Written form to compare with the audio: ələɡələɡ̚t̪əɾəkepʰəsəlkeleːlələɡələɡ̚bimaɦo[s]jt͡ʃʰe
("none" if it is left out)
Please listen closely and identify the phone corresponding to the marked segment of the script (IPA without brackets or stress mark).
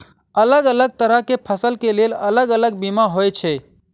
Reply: none